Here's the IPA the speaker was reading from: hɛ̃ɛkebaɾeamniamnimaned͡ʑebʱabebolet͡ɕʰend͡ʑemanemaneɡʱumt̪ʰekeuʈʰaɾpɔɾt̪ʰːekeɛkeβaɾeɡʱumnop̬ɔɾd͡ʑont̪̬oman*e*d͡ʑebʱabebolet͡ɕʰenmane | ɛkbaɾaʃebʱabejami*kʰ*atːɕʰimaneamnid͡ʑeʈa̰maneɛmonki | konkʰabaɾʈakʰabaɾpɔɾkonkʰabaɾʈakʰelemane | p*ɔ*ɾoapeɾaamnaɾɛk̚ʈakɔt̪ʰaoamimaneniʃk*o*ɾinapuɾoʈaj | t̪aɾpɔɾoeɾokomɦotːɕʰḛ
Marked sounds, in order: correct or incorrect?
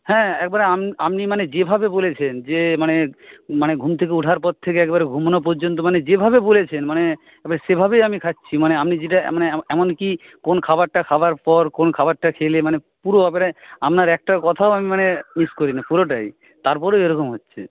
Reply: correct, correct, incorrect, correct

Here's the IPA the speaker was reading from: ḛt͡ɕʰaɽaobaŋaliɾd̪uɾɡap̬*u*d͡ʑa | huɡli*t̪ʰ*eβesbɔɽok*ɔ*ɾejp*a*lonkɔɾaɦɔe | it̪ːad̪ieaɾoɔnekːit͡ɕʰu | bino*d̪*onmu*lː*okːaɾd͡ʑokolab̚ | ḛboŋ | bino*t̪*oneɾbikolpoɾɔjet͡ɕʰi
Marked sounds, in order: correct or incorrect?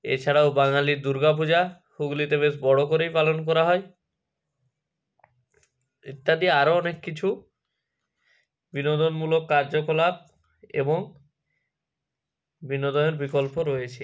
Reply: correct, incorrect, incorrect, correct, correct, incorrect, incorrect

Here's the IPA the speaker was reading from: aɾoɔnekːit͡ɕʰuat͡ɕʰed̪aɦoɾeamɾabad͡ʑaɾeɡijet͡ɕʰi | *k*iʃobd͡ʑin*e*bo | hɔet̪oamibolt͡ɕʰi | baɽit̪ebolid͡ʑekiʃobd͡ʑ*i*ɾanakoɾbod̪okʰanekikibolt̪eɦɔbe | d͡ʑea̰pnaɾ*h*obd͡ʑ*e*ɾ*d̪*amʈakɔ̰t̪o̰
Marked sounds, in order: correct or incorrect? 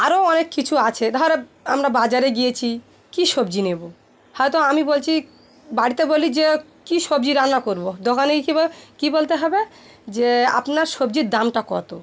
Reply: correct, correct, correct, incorrect, incorrect, correct

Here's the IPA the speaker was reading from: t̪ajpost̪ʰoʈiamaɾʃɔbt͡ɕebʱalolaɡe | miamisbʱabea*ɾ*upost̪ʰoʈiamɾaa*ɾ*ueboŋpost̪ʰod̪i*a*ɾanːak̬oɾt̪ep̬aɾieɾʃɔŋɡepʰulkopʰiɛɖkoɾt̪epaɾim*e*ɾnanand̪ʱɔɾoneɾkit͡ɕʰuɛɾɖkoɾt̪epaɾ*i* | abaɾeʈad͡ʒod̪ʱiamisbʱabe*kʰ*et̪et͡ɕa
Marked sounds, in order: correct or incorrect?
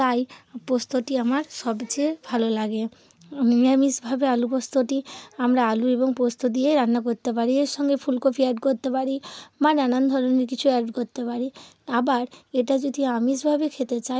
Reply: incorrect, incorrect, incorrect, incorrect, correct, correct

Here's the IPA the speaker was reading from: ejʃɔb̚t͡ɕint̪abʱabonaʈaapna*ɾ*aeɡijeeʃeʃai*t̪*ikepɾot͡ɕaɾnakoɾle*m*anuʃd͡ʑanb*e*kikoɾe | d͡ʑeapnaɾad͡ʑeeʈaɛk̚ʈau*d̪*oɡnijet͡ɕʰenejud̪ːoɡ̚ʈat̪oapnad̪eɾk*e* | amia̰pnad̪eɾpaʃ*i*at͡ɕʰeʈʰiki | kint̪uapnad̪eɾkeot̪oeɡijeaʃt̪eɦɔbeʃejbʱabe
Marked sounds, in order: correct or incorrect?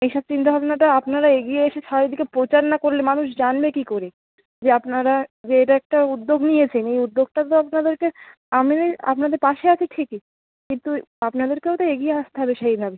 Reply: correct, incorrect, correct, correct, incorrect, correct, incorrect

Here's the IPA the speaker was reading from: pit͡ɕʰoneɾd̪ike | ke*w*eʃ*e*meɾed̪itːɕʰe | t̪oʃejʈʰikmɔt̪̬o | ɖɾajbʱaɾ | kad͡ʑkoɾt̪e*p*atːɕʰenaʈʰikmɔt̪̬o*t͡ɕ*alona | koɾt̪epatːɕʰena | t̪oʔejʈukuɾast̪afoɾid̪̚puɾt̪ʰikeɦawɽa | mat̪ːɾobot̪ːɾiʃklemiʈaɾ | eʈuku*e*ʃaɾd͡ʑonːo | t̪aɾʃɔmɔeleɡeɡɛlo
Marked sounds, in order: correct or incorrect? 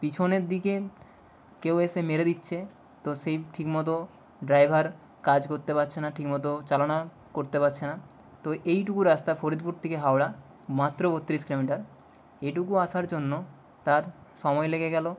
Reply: correct, correct, correct, correct, incorrect

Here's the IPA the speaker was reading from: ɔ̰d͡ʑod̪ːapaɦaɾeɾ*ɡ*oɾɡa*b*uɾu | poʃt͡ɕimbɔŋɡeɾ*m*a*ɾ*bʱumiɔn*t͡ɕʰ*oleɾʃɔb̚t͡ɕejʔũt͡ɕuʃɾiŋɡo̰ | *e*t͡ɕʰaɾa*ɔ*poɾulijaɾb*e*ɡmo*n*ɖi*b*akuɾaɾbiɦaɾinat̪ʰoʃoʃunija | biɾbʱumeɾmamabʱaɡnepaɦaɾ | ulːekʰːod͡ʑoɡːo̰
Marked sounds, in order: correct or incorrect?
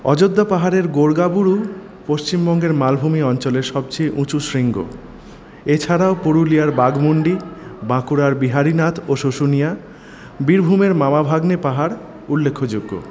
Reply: correct, correct, correct, incorrect, incorrect, correct, incorrect, incorrect, incorrect, correct

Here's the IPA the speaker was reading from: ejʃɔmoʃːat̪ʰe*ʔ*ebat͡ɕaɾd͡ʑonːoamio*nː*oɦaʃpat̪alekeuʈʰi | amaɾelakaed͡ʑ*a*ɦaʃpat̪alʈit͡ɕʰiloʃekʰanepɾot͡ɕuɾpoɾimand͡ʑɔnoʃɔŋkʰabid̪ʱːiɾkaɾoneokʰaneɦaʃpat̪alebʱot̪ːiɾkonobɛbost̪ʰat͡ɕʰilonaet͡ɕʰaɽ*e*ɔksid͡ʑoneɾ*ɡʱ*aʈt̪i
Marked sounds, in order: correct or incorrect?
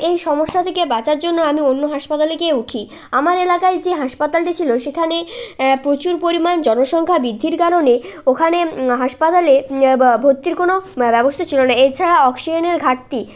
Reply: incorrect, correct, incorrect, incorrect, correct

